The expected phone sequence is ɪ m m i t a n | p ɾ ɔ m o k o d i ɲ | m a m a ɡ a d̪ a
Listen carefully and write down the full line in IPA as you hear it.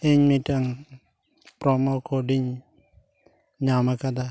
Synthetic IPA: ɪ ɲ m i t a ŋ | p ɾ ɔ m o k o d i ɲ | ɲ a m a k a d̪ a